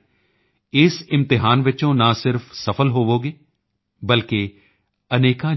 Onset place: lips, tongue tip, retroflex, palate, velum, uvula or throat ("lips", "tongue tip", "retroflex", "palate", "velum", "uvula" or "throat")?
tongue tip